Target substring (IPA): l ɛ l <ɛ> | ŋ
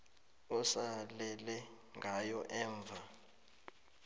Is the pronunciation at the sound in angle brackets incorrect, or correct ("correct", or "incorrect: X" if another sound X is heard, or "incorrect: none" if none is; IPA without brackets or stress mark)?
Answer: correct